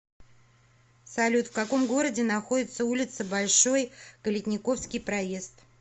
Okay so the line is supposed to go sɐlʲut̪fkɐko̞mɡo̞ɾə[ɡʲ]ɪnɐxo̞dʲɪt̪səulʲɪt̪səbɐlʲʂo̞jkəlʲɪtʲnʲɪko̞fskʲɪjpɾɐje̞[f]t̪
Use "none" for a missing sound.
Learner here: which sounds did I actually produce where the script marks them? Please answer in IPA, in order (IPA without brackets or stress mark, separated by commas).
dʲ, s